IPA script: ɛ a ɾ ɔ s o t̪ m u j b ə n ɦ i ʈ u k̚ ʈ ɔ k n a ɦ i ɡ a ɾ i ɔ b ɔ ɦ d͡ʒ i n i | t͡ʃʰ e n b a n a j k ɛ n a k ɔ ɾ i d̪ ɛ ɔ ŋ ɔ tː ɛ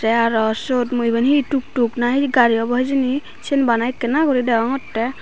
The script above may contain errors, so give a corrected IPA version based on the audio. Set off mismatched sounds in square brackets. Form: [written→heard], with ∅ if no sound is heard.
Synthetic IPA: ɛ a ɾ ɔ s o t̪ m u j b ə n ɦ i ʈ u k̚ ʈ [ɔ→u] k n a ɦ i ɡ a ɾ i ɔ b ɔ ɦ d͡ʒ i n i | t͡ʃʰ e n b a n a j k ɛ n a k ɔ ɾ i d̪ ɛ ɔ ŋ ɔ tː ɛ